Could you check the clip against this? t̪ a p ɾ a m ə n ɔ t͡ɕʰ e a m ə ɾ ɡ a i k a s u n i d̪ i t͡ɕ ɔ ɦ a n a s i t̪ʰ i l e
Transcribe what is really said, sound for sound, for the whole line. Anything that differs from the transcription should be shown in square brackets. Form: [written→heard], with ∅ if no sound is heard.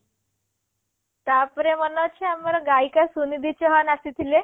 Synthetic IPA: t̪ a p ɾ [a→e] m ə n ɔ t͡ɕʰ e a m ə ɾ ɡ a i k a s u n i d̪ i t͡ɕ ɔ ɦ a n a s i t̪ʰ i l e